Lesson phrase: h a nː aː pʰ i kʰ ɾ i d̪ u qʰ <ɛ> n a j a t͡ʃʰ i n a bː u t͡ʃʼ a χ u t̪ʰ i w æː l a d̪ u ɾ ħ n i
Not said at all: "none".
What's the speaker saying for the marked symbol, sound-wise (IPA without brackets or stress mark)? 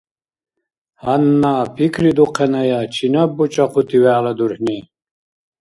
ɛ